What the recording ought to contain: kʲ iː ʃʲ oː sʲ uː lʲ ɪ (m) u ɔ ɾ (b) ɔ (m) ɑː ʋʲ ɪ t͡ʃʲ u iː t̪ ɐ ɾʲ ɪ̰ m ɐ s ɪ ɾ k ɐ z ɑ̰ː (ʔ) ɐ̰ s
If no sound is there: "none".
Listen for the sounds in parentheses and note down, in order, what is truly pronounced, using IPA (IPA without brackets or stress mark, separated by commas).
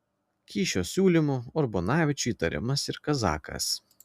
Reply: m, b, n, k